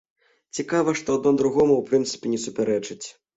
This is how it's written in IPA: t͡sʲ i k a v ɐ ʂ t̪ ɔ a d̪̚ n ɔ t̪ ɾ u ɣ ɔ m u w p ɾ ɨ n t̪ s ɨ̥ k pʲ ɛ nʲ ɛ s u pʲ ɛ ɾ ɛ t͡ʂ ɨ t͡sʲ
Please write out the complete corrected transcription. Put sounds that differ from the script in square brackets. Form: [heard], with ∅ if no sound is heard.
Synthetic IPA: t͡sʲ i k a v ɐ ʂ t̪ ɔ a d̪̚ n ɔ [d̪] ɾ u ɣ ɔ m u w p ɾ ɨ n t̪ s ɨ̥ [∅] pʲ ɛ nʲ ɛ s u pʲ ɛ ɾ ɛ t͡ʂ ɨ t͡sʲ